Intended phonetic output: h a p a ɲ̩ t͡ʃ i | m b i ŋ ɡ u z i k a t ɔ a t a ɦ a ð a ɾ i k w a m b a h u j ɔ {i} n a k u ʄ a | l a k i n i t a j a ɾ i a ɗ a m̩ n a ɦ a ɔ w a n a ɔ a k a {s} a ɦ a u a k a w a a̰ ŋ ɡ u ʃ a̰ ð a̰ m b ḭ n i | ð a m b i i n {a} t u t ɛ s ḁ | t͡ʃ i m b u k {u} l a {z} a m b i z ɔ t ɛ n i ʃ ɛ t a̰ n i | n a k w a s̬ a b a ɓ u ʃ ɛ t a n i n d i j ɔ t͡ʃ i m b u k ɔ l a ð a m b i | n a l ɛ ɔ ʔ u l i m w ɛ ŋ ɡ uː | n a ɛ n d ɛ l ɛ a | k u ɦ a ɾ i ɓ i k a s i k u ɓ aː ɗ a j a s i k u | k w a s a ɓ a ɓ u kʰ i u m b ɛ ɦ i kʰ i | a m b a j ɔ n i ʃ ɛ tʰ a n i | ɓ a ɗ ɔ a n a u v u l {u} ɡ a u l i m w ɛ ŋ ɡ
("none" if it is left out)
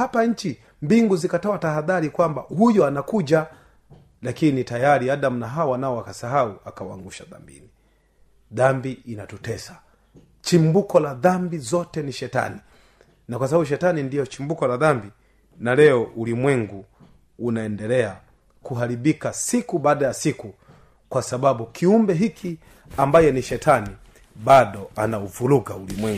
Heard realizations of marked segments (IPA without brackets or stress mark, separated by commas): a, s, a, ɔ, ð, u